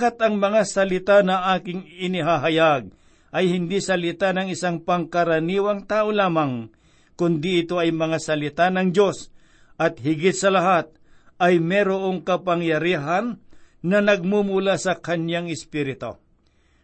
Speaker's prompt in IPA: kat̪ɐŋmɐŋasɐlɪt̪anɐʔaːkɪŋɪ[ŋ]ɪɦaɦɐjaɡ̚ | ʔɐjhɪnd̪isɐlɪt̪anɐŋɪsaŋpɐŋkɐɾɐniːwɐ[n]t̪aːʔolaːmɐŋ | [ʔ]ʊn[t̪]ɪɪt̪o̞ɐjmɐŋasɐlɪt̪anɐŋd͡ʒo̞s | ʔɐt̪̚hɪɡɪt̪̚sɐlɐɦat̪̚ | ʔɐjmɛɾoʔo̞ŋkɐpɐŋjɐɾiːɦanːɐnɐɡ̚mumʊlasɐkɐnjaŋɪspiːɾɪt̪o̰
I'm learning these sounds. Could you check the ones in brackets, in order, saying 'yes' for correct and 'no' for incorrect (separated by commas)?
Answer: no, no, no, no